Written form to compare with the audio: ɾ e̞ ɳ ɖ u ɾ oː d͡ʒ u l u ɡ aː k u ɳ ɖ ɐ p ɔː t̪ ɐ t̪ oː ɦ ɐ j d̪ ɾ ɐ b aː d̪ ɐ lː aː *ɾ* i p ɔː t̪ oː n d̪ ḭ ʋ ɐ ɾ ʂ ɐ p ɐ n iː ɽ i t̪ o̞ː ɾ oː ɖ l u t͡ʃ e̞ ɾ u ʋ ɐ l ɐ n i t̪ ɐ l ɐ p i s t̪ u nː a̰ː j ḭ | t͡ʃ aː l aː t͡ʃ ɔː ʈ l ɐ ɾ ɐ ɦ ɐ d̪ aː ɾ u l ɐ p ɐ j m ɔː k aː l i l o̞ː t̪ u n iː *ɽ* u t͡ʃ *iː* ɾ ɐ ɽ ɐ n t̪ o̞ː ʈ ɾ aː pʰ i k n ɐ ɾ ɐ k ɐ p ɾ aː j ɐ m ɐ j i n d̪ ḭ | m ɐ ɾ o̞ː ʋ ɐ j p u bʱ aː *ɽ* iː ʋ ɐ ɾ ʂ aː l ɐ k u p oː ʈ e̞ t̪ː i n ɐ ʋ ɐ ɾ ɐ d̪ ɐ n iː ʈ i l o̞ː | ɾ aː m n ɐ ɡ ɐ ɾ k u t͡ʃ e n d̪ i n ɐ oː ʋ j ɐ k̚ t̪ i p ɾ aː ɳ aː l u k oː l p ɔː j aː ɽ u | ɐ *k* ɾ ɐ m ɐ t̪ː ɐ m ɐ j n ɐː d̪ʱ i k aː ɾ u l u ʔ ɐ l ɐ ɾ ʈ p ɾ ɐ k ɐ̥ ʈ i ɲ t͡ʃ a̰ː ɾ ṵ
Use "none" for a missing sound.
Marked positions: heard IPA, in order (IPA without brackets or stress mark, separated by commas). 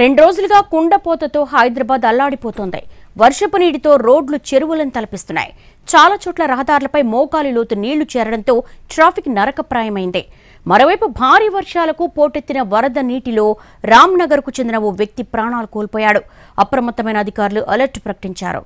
ɽ, ɭ, ɛː, ɾ, p